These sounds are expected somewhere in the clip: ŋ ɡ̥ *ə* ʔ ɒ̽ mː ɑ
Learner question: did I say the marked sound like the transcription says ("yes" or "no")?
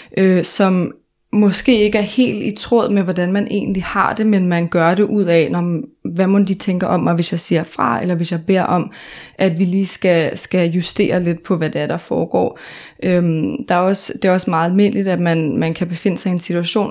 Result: no